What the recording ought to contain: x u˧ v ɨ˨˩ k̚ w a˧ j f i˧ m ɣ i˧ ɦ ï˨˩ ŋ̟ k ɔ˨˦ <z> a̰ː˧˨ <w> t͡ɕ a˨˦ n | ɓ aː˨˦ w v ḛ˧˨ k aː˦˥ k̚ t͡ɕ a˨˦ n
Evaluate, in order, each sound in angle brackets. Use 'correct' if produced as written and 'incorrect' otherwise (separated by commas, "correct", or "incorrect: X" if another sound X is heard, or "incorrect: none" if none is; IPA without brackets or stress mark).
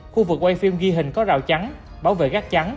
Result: correct, correct